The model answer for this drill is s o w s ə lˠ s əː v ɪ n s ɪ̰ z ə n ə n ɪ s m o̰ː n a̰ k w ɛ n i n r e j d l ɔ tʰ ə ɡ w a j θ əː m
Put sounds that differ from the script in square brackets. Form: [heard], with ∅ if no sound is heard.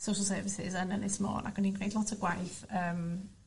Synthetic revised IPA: s o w [ʃ] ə lˠ s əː v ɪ [∅] s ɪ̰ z ə n ə n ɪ s m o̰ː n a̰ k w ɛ n i n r e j d l ɔ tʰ ə ɡ w a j θ əː m